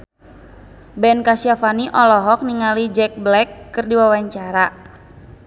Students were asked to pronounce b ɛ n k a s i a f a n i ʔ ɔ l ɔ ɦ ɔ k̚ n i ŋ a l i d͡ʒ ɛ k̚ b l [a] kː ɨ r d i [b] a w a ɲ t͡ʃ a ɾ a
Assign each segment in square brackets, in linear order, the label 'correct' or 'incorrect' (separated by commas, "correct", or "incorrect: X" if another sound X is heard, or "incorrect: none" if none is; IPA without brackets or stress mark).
incorrect: ɛ, incorrect: w